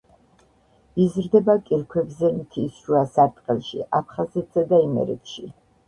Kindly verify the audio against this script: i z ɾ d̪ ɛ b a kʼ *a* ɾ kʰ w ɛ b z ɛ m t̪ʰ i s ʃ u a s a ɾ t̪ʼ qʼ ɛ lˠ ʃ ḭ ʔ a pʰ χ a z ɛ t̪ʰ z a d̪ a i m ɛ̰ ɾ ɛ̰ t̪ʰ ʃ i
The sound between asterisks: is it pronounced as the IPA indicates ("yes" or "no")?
no